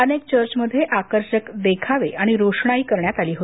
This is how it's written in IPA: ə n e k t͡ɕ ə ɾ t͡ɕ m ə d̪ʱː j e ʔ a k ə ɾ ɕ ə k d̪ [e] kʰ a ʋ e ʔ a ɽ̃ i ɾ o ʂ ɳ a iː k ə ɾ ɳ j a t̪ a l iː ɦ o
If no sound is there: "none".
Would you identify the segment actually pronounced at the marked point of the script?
e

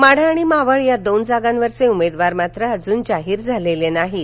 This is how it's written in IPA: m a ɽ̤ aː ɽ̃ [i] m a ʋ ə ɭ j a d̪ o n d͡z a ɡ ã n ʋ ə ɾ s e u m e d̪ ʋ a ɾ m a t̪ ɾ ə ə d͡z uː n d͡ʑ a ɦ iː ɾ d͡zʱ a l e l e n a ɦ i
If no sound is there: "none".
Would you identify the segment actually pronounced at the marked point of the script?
i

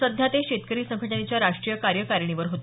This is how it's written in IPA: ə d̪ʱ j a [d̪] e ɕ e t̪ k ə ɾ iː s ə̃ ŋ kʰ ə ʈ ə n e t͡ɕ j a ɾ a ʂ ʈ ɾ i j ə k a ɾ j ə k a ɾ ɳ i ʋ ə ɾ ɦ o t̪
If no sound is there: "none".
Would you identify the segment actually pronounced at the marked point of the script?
t̪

